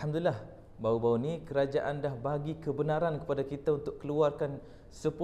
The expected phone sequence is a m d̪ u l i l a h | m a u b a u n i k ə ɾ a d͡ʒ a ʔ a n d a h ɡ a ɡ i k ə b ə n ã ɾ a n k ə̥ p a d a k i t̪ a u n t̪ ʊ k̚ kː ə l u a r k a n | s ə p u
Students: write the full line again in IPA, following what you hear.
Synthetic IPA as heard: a m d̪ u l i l a h | b a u b a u n i k ə ɾ a d͡ʒ a ʔ a n d a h b a ɡ i k ə b ə n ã ɾ a n k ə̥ p a d a k i t̪ a u n t̪ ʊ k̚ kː ə l u a r k a n | s ə p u